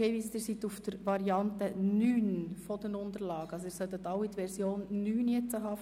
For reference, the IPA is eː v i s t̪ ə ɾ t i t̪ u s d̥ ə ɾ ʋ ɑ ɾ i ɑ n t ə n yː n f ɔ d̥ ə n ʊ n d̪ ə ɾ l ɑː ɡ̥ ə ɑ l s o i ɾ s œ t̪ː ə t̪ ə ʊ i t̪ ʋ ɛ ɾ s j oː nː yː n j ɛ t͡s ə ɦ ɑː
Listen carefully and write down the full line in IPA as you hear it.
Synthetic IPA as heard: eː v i s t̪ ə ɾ s i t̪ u f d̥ ə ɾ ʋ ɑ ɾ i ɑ n t ə n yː n f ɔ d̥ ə n ʊ n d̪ ə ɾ l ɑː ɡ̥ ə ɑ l s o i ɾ s œ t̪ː ə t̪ ɑ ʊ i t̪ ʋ ɛ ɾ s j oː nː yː n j ɛ t͡s ə ɦ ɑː